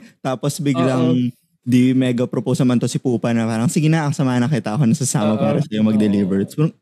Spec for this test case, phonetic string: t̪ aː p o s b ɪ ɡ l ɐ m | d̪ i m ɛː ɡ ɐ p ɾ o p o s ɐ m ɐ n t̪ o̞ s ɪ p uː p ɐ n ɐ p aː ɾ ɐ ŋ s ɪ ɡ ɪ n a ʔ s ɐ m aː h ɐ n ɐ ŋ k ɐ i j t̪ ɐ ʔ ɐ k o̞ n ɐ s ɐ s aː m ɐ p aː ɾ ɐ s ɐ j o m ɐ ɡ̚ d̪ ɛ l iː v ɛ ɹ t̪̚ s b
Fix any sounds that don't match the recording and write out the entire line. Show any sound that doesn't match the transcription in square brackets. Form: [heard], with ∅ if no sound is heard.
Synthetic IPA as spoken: t̪ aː p o s b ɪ ɡ l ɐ [ŋ] | d̪ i m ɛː ɡ ɐ p ɾ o p o s ɐ m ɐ n t̪ o̞ s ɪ p uː p ɐ n ɐ p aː ɾ ɐ ŋ s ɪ ɡ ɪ n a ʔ s ɐ m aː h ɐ n ɐ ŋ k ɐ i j t̪ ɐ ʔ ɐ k o̞ n ɐ s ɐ s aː m ɐ p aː ɾ ɐ s ɐ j o m ɐ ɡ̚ d̪ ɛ l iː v ɛ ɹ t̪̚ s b